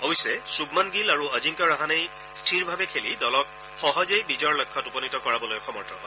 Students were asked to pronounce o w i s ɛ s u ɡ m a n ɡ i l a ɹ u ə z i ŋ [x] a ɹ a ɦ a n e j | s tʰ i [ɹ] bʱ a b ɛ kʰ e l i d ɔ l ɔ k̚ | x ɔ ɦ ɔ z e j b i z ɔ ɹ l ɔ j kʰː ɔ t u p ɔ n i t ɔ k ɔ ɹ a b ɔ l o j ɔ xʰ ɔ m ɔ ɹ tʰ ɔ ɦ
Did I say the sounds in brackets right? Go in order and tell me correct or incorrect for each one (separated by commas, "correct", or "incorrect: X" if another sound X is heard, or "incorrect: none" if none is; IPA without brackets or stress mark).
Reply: incorrect: k, correct